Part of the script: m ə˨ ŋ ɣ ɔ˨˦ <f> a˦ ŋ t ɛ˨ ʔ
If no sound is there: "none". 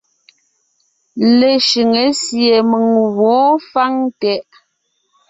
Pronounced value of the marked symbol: f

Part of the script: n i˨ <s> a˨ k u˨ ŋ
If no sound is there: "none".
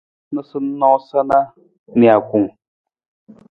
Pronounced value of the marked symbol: none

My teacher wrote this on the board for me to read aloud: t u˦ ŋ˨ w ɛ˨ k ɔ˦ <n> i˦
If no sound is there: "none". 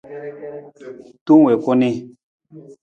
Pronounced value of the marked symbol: n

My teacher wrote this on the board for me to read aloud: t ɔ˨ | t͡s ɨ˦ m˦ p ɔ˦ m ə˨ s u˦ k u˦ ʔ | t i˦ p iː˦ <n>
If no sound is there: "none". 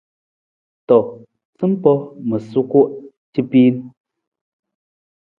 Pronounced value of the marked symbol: n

